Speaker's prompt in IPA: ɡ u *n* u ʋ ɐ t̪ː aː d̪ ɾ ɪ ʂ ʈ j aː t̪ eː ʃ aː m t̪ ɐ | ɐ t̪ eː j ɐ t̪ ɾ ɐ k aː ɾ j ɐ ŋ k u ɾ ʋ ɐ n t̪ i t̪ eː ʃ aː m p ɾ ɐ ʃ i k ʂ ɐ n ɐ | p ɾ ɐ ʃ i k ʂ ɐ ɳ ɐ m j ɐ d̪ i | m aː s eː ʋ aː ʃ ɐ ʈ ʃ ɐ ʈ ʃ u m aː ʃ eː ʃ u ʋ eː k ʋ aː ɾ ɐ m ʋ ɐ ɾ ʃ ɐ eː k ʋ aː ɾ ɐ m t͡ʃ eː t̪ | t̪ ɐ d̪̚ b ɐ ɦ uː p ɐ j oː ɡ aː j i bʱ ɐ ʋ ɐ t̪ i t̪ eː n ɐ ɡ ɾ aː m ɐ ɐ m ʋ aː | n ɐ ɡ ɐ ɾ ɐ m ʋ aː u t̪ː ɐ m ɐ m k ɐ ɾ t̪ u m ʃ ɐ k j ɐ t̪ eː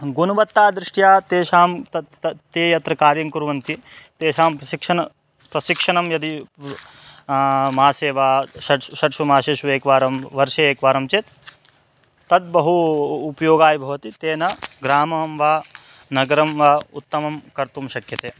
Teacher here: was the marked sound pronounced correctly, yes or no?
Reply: yes